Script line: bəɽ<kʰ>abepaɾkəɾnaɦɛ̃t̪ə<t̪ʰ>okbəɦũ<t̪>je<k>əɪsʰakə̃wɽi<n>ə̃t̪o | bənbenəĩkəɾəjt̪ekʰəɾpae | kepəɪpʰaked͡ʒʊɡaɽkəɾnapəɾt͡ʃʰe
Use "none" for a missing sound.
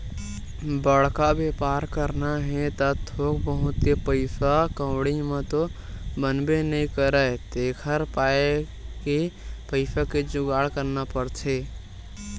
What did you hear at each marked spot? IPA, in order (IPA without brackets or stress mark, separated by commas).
k, t̪ʰ, t̪, p, m